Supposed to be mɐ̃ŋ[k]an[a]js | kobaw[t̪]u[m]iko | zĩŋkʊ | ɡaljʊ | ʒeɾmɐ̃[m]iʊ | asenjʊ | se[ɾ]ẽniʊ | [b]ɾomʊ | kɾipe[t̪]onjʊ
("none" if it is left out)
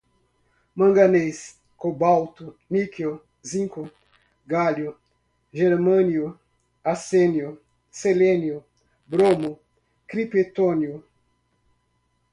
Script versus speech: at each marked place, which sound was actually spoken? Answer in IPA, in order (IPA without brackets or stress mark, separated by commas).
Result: ɡ, e, t̪, n, n, l, b, t̪